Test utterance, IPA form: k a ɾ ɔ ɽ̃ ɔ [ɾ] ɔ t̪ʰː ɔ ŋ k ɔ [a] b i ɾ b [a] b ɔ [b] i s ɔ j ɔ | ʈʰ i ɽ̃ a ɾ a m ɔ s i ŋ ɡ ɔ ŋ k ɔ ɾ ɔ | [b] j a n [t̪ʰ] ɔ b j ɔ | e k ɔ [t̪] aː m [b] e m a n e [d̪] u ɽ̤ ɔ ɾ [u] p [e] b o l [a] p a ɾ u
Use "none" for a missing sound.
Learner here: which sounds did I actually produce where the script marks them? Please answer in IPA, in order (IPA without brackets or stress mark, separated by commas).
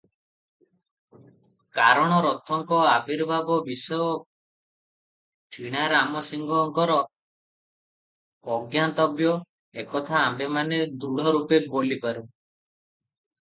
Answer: ɾ, a, a, b, ɡ, t̪, t̪ʰ, b, d̪, u, e, i